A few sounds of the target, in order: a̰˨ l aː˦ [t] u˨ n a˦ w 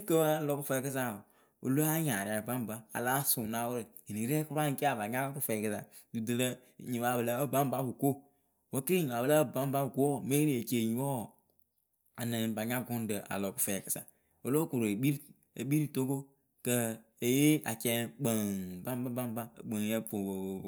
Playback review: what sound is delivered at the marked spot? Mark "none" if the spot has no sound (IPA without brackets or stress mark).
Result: s